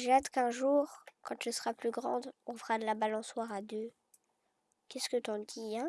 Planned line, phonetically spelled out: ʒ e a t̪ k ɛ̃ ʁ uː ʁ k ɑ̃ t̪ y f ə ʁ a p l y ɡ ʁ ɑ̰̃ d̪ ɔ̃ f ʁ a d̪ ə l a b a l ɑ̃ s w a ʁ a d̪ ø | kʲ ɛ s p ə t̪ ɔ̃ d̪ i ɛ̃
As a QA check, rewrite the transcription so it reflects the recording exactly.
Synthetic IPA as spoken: ʒ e a t̪ k ɛ̃ ʒ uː ʁ k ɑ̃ t̪ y s ə ʁ a p l y ɡ ʁ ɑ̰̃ d̪ ɔ̃ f ʁ a d̪ ə l a b a l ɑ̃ s w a ʁ a d̪ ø | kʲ ɛ s k ə t̪ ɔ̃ d̪ i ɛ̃